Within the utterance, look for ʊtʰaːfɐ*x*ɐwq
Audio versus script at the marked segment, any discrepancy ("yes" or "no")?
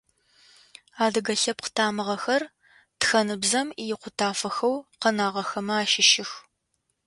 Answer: no